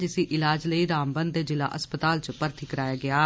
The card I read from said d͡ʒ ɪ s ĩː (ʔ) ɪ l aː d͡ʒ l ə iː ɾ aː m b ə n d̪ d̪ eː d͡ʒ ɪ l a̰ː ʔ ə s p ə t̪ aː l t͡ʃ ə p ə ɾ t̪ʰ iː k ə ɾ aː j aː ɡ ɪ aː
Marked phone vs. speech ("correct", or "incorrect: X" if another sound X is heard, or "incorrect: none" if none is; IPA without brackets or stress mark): correct